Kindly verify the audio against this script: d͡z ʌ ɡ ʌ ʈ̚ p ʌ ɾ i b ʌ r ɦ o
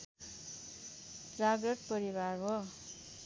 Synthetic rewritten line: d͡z a ɡ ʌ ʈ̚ p ʌ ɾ i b a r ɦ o